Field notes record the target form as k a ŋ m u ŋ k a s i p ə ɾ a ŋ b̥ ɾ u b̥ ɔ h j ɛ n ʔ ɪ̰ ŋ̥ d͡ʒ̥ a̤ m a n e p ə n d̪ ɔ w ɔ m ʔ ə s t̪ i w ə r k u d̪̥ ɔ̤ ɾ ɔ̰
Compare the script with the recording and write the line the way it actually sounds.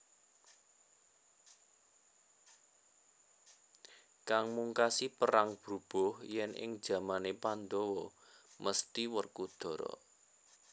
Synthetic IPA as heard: k a ŋ m u ŋ k a s i p ə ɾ a ŋ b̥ ɾ u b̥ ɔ h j ɛ n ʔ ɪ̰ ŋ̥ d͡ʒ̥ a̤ m a n e p a n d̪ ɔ w ɔ m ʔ ə s t̪ i w ə r k u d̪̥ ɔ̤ ɾ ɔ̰

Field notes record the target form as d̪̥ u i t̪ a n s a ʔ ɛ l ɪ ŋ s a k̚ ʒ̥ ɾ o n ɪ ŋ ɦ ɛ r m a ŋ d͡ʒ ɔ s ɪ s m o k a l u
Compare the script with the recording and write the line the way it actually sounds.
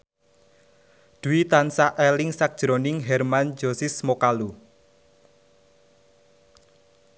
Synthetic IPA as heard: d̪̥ u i t̪ a n s a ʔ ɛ l ɪ ŋ s a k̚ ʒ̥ ɾ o n ɪ ŋ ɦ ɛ r m a n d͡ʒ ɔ s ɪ s m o k a l u

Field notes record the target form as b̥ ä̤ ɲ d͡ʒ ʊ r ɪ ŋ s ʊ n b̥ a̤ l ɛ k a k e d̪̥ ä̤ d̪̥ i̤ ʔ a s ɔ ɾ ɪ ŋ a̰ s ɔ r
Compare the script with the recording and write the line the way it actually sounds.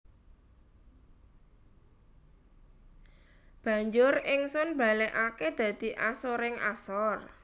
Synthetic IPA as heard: b̥ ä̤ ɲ d͡ʒ ʊ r ɪ ŋ s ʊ n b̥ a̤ l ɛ ʔ a k e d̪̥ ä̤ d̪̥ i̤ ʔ a s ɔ ɾ ɪ ŋ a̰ s ɔ r

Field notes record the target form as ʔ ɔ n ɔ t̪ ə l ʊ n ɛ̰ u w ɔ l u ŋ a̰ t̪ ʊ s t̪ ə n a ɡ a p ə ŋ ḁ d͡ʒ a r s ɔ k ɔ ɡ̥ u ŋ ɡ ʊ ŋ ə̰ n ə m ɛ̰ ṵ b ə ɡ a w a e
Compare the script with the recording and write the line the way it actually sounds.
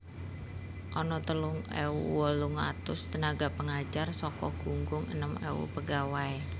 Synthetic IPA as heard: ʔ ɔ n ɔ t̪ ə l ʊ ŋ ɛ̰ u w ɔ l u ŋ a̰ t̪ ʊ s t̪ ə n a ɡ a p ə ŋ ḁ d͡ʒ a r s ɔ k ɔ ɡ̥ u ŋ ɡ ʊ ŋ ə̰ n ə m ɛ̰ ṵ p ə ɡ a w a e

